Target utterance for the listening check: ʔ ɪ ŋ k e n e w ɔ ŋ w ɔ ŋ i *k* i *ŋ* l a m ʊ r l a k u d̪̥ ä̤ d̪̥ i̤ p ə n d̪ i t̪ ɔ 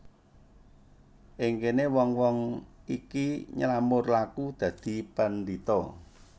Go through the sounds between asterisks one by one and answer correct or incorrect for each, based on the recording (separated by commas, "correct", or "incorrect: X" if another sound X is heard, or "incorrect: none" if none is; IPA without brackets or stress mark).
correct, incorrect: ɲ